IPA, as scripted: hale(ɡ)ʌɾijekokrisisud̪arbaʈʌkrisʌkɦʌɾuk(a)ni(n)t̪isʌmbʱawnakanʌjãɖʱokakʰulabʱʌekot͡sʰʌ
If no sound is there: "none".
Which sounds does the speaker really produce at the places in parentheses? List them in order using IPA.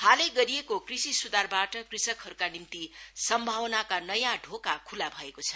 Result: ɡ, a, m

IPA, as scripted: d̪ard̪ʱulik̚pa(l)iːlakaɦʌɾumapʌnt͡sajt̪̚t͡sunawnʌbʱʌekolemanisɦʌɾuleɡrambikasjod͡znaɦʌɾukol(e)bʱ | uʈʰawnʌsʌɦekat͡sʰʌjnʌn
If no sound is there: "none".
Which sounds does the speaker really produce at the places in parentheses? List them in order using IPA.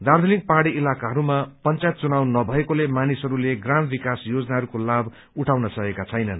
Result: ɽ, a

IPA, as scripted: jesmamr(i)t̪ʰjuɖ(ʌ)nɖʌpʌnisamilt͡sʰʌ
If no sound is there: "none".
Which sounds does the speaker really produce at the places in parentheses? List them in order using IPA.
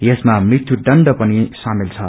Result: i, ʌ

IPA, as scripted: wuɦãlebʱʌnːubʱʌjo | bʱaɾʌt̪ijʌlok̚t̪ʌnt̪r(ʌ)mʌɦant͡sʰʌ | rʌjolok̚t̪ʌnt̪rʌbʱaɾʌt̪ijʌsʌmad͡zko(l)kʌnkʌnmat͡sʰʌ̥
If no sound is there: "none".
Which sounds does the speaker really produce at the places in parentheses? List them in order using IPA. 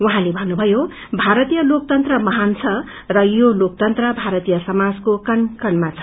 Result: ʌ, none

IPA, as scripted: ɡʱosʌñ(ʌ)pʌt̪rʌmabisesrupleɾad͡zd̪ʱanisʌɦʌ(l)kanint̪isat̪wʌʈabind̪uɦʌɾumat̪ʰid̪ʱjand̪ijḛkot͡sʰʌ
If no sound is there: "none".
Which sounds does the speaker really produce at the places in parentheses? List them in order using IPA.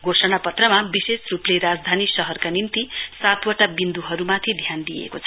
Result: a, r

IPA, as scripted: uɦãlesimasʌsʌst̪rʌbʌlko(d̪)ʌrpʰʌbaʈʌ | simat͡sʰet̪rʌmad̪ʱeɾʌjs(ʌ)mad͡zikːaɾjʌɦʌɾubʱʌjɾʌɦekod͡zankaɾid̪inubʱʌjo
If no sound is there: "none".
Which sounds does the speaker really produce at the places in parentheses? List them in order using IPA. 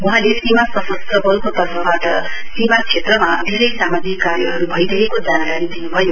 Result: t̪, a

